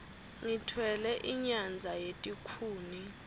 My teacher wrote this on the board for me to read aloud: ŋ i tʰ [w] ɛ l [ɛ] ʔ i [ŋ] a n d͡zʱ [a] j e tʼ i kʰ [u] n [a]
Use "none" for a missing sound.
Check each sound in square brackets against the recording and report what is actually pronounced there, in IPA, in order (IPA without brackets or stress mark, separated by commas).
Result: w, ɛ, ɲ, a, uː, i